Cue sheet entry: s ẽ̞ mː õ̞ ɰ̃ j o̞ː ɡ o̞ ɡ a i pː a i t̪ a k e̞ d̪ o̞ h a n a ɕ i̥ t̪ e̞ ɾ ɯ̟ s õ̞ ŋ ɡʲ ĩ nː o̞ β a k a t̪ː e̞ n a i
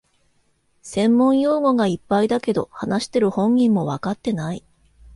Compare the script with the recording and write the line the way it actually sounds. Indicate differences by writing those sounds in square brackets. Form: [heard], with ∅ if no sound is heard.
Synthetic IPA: s ẽ̞ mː õ̞ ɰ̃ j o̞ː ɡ o̞ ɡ a i pː a i [d̪] a k e̞ d̪ o̞ h a n a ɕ i̥ t̪ e̞ ɾ ɯ̟ [h] õ̞ ŋ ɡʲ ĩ [mː] o̞ β a k a t̪ː e̞ n a i